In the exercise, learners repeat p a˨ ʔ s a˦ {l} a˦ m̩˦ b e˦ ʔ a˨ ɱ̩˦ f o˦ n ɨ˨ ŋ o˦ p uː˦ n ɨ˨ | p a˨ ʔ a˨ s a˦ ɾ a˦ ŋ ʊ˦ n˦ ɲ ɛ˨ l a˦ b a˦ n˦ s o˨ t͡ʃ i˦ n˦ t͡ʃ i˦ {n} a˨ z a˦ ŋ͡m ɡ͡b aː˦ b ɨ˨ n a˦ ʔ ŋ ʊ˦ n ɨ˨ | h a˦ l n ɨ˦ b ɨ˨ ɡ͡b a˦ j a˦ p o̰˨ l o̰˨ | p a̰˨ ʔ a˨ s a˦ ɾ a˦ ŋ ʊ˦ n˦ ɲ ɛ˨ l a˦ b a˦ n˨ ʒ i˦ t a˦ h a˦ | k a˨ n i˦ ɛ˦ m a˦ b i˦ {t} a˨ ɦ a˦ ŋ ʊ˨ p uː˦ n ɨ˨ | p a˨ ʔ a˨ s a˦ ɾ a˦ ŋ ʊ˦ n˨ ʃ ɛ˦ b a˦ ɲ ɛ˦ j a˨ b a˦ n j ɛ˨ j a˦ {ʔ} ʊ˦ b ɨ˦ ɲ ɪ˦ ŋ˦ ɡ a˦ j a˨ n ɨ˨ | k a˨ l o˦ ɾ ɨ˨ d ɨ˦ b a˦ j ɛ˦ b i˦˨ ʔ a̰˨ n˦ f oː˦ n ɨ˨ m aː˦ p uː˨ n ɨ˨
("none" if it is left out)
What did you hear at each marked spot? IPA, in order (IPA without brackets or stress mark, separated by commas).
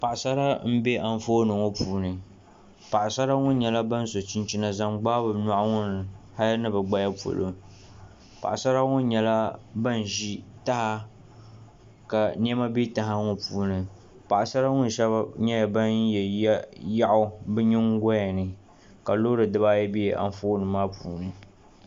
ɾ, n, t, ʔ